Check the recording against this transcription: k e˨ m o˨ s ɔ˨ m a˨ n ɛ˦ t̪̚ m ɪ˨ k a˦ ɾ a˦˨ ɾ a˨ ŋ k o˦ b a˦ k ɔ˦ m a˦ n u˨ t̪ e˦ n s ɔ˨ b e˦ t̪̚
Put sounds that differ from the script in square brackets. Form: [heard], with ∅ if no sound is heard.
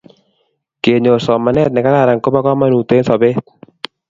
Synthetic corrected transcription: k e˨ [ɲ] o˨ s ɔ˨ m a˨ n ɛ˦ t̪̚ [n] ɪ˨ k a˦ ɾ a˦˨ ɾ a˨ ŋ k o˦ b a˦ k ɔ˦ m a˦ n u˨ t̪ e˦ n s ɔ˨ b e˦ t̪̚